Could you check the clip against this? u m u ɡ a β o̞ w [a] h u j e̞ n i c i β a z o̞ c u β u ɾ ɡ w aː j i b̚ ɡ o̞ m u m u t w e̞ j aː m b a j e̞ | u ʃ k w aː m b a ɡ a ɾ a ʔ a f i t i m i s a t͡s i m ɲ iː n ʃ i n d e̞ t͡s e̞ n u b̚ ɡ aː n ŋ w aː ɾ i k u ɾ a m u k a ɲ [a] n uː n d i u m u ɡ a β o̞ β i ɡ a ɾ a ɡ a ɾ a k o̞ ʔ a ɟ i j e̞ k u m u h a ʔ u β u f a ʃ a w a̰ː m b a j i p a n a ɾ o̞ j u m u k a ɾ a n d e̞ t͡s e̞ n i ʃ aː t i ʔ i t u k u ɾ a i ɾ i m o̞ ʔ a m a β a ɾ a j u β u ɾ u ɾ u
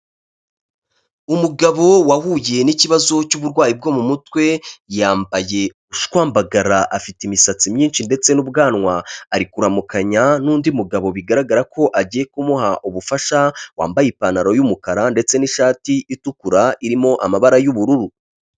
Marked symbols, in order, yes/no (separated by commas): yes, yes